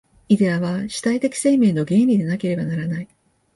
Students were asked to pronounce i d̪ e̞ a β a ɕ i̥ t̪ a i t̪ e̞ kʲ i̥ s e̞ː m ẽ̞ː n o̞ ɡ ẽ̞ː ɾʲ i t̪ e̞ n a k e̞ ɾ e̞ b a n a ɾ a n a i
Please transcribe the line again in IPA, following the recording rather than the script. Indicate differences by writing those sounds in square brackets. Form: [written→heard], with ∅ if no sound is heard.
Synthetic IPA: i d̪ e̞ a β a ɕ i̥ t̪ a i t̪ e̞ kʲ i̥ s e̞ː m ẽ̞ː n o̞ ɡ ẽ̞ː ɾʲ i [t̪→d̪] e̞ n a k e̞ ɾ e̞ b a n a ɾ a n a i